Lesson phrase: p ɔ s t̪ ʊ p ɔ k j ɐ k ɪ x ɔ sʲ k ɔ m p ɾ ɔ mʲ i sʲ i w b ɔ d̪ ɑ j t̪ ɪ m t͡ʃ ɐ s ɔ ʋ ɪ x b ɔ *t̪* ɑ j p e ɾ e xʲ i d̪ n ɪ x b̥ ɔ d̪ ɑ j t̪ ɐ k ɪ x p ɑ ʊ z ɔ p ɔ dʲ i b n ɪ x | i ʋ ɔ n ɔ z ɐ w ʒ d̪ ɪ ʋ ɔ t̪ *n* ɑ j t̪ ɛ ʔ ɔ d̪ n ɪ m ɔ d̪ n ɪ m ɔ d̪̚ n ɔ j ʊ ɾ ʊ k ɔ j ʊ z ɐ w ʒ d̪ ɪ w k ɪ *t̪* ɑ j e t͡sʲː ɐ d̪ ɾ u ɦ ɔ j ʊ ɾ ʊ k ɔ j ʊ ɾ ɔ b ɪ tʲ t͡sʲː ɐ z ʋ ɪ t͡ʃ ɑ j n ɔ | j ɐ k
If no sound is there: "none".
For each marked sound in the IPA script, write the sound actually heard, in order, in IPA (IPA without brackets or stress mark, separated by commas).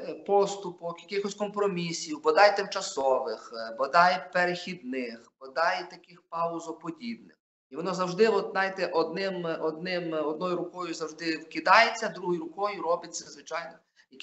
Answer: d̪, n, d̪